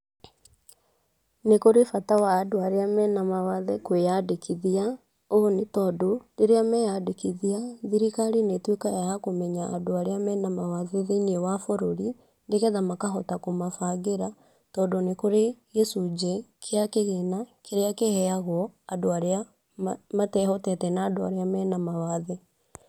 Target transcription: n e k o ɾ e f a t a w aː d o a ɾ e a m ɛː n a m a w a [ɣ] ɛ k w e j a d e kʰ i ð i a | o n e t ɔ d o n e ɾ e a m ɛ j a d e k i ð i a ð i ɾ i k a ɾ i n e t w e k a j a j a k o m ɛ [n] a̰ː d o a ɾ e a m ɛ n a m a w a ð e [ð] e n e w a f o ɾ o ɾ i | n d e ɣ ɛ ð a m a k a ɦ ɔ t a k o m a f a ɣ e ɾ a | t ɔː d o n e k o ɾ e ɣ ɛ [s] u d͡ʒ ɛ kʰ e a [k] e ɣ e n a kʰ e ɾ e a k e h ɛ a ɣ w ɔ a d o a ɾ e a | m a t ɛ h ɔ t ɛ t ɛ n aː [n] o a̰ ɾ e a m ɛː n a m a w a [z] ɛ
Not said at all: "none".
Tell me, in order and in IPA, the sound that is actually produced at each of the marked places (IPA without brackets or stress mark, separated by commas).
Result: ð, ɲ, ð, s, k, d, ð